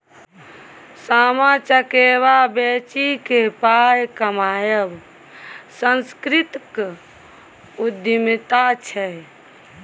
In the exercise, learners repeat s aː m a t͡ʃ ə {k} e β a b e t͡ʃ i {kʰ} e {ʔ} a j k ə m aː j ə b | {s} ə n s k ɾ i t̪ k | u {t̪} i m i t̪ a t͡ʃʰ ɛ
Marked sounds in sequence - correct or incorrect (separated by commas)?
correct, incorrect, incorrect, correct, incorrect